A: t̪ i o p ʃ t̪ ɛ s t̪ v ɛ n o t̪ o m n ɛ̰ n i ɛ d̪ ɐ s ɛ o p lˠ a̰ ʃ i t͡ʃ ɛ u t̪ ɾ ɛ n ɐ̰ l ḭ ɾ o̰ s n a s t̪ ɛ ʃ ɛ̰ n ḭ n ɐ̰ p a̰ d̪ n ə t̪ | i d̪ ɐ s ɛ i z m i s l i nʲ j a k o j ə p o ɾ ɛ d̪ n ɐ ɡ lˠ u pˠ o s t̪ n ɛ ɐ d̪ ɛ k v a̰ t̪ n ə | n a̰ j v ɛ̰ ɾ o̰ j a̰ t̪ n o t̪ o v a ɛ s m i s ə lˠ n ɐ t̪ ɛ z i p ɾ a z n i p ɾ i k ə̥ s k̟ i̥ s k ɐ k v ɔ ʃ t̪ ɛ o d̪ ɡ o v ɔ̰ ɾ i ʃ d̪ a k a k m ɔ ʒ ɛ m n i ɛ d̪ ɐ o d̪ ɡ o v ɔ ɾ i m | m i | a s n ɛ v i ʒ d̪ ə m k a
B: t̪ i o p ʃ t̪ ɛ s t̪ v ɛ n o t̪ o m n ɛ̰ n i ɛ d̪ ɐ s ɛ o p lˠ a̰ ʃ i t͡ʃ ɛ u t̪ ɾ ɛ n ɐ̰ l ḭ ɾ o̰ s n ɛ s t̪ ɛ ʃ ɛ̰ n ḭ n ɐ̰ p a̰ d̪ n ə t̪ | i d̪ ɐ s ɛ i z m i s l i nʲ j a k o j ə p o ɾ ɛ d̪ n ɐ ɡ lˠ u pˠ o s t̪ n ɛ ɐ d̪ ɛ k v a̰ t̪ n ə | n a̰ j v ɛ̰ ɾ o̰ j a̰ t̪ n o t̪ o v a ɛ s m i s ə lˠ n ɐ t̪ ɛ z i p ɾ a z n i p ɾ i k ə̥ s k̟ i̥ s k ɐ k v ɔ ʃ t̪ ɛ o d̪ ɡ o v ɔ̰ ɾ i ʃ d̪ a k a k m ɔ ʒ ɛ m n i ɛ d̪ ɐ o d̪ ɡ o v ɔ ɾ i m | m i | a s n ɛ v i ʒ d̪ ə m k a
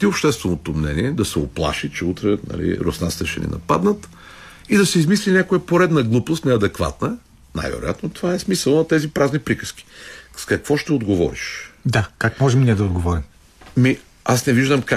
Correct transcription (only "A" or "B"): A